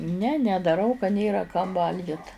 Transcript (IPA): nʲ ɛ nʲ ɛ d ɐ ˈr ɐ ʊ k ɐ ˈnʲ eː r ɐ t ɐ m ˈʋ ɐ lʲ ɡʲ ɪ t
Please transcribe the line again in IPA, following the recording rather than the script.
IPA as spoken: nʲ ɛ nʲ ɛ d ɐ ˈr ɐ ʊ k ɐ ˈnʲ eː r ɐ k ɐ m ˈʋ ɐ lʲ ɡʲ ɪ t

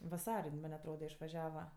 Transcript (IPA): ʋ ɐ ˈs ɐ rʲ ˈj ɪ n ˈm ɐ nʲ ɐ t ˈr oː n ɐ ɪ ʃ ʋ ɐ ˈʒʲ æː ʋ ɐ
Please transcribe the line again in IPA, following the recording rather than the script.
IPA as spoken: ʋ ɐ ˈs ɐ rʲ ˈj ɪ n ˈm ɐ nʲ ɐ t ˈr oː d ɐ ɪ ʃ ʋ ɐ ˈʒʲ æː ʋ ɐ

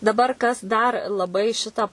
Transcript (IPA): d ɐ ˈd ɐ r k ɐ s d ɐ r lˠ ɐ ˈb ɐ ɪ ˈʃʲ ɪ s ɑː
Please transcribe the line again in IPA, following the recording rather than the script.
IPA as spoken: d ɐ ˈb ɐ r k ɐ s d ɐ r lˠ ɐ ˈb ɐ ɪ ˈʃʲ ɪ t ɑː

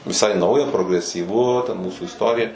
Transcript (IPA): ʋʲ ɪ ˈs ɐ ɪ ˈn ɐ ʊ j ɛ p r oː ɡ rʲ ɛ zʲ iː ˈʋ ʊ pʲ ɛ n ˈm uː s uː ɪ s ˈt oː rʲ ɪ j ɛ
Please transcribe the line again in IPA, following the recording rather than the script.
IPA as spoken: ʋʲ ɪ ˈs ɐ ɪ ˈn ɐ ʊ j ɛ p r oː ɡ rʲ ɛ sʲ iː ˈʋ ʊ tʲ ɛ n ˈm uː s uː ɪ s ˈt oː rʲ ɪ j ɛ

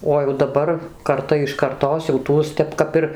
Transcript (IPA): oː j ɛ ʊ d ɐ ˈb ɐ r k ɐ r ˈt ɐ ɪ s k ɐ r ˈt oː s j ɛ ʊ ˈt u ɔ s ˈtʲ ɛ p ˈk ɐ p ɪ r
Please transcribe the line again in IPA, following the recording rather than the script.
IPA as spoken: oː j ɛ ʊ d ɐ ˈb ɐ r k ɐ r ˈt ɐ ɪ ʃ k ɐ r ˈt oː s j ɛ ʊ ˈt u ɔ s ˈtʲ ɛ p ˈk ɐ p ɪ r

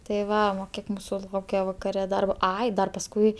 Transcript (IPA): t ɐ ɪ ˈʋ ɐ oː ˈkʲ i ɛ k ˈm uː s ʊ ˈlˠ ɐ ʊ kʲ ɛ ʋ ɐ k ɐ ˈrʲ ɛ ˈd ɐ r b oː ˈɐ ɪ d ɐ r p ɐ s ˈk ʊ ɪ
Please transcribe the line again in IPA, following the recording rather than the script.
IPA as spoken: t ɐ ɪ ˈʋ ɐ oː ˈkʲ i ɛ k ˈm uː s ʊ ˈlˠ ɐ ʊ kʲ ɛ ʋ ɐ k ɐ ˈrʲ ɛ ˈd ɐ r b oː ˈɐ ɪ d ɐ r p ɐ s ˈk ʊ ɪ

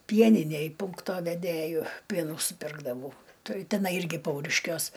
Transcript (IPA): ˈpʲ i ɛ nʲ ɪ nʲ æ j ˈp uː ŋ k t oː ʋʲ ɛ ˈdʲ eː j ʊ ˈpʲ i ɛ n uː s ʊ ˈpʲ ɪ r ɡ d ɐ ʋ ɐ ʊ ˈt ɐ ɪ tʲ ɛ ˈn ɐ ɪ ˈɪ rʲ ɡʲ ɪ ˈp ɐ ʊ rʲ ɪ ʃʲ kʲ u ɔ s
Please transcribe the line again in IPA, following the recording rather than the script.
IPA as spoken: ˈpʲ i ɛ nʲ ɪ nʲ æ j ˈp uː ŋ k t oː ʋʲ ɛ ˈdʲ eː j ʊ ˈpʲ i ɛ n uː s ʊ ˈpʲ ɪ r ɡ d ɐ ʋ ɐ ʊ ˈt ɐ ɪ tʲ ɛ ˈn ɐ ɪ ˈɪ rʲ ɡʲ ɪ ˈp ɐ ʊ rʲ ɪ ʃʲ kʲ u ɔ s

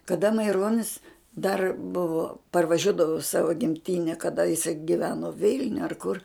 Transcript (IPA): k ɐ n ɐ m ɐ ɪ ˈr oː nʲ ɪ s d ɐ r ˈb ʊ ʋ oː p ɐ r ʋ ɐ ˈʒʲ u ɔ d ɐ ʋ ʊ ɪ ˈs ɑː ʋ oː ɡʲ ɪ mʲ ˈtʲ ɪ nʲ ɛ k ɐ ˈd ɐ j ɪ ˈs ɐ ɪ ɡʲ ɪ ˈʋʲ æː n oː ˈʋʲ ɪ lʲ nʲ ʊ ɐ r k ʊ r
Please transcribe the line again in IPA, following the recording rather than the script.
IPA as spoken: k ɐ d ɐ m ɐ ɪ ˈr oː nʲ ɪ s d ɐ r ˈb ʊ ʋ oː p ɐ r ʋ ɐ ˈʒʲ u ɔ d ɐ ʋ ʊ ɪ ˈs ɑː ʋ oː ɡʲ ɪ mʲ ˈtʲ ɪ nʲ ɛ k ɐ ˈd ɐ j ɪ ˈs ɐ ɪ ɡʲ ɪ ˈʋʲ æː n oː ˈʋʲ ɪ lʲ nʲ ʊ ɐ r k ʊ r

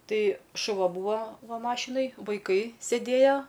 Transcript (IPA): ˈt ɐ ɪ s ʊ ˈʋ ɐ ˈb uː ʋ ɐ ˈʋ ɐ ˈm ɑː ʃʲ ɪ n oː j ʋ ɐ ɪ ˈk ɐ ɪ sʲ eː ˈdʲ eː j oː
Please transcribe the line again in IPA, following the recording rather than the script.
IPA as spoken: ˈt ɐ ɪ ʃ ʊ ˈʋ ɐ ˈb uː ʋ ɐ ˈʋ ɐ ˈm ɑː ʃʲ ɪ n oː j ʋ ɐ ɪ ˈk ɐ ɪ sʲ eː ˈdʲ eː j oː

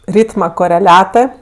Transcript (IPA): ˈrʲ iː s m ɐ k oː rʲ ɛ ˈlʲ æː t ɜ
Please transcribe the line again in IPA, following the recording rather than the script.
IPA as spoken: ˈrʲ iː t m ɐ k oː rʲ ɛ ˈlʲ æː t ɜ

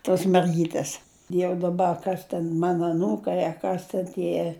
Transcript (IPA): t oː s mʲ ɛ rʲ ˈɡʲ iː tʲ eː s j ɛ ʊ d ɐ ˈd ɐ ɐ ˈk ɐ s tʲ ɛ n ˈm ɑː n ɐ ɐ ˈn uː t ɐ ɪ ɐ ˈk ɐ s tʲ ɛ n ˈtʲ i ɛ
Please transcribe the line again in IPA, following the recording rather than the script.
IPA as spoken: t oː s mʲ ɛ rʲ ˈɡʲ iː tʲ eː s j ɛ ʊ d ɐ ˈb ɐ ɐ ˈk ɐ s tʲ ɛ n ˈm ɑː n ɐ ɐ ˈn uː k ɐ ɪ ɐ ˈk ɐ s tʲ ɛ n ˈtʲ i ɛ

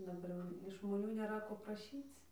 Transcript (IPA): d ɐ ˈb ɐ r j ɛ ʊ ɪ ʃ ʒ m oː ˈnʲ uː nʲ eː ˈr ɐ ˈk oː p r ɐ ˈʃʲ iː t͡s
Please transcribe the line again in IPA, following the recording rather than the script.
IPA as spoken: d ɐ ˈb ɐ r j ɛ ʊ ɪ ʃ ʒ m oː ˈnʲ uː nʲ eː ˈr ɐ ˈk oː p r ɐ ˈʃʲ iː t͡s

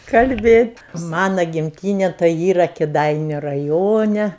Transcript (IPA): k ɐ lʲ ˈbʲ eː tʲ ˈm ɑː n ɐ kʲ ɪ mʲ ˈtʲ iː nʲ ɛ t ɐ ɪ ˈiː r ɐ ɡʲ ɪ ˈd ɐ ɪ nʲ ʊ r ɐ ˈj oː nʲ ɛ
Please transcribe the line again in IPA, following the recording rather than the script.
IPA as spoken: k ɐ lʲ ˈbʲ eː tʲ ˈm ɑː n ɐ ɡʲ ɪ mʲ ˈtʲ iː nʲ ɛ t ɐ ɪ ˈiː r ɐ kʲ ɪ ˈd ɐ ɪ nʲ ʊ r ɐ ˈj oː nʲ ɛ

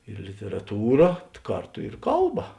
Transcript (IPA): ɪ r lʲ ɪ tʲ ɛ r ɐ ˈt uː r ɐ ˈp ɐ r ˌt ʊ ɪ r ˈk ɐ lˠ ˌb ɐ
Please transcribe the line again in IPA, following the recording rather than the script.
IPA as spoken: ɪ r lʲ ɪ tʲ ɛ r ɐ ˈt uː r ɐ ˈk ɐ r ˌt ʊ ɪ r ˈk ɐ lˠ ˌb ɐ

